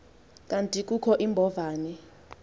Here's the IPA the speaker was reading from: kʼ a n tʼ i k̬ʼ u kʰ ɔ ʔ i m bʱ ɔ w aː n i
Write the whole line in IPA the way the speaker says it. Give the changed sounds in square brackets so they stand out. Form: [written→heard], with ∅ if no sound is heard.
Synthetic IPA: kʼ a n tʼ i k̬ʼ u kʰ ɔ ʔ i m bʱ ɔ [w→v] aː n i